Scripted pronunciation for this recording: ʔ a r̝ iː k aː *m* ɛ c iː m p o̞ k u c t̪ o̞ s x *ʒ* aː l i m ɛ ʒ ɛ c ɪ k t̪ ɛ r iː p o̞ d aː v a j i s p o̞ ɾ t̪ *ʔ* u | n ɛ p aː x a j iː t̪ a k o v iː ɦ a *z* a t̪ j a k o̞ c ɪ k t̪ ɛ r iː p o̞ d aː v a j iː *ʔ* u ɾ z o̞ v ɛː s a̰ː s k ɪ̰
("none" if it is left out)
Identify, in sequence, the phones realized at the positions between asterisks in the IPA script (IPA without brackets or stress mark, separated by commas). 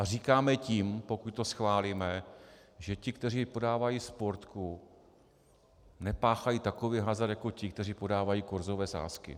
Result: m, v, k, z, k